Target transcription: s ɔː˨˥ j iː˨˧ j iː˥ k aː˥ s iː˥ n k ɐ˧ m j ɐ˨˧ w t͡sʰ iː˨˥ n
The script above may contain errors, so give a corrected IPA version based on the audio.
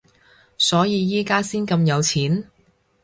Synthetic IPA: s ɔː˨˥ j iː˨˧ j iː˥ k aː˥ s iː˥ n k ɐ˧ m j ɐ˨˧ w t͡sʰ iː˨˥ n